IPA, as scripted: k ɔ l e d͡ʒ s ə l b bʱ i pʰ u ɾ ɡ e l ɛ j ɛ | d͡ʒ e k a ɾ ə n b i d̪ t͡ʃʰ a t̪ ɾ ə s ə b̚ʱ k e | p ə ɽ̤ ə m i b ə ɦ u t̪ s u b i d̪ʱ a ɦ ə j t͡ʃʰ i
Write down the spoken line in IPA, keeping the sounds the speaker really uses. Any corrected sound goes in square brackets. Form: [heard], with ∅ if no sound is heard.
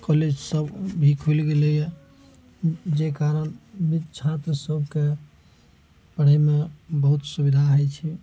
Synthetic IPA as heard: k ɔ l e d͡ʒ s ə [∅] b bʱ i [kʰ] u [l] ɡ e l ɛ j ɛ | d͡ʒ e k a ɾ ə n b i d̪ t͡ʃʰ a t̪ ɾ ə s ə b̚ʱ k e | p ə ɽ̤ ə m [e] b ə ɦ u t̪ s u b i d̪ʱ a ɦ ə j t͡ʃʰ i